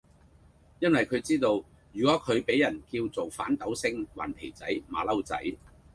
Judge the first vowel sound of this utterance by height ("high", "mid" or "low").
low